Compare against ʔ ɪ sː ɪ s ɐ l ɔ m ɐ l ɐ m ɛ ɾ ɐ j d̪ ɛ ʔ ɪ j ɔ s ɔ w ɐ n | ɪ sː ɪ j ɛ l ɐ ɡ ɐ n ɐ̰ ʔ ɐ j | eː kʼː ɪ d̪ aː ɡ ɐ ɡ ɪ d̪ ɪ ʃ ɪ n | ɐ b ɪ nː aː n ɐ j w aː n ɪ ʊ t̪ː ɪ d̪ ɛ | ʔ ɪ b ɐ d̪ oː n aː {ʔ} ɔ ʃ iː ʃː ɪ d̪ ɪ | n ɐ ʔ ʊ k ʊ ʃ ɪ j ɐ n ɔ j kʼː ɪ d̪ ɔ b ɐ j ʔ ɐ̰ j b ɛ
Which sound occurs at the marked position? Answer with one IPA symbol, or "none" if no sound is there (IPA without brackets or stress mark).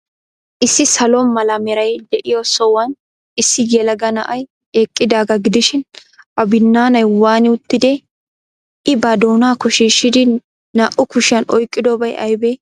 k